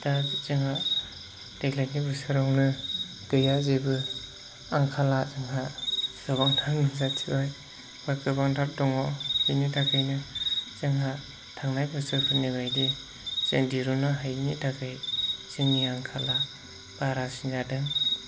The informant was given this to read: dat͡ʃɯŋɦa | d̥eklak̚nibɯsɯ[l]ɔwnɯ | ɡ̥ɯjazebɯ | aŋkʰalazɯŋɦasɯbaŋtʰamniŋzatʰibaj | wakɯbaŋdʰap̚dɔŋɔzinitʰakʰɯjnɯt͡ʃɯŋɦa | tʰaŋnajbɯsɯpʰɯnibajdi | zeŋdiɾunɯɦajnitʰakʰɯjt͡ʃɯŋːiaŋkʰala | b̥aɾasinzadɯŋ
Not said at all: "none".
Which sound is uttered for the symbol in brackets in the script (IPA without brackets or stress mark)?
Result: ɾ